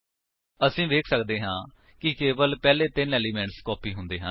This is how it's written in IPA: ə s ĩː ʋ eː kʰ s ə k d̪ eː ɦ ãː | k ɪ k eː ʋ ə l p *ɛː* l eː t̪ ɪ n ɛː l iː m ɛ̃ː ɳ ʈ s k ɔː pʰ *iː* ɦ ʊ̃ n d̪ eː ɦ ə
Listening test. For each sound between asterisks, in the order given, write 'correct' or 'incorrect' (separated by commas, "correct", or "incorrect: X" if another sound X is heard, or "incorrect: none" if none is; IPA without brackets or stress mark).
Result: correct, correct